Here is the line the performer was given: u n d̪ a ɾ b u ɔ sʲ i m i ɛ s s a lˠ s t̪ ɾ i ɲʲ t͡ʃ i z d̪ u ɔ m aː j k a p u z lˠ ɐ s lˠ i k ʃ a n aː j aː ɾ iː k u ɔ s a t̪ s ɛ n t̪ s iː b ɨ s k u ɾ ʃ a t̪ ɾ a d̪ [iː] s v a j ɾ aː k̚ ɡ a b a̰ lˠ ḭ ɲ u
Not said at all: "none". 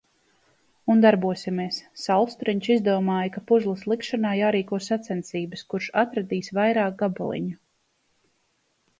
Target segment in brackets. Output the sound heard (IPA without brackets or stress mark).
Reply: iː